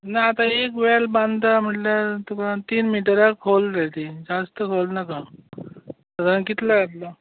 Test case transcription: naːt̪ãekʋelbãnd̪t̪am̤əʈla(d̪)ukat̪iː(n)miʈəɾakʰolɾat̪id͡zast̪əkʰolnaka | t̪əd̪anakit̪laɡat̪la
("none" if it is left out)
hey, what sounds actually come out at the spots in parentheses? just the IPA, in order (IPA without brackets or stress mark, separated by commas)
t̪, n